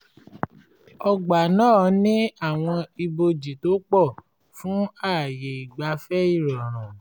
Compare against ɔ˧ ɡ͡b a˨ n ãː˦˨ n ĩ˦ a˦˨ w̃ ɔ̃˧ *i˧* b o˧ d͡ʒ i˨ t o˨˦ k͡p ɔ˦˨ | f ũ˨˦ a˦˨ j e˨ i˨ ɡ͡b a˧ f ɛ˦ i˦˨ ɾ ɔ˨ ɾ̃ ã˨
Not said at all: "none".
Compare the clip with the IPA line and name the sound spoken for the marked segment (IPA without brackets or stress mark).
i˧